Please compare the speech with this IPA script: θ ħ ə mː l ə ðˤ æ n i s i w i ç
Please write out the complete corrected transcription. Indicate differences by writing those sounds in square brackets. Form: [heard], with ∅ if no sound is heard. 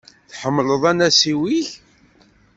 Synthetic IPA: θ ħ ə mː l ə ðˤ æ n [æ] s i w i ç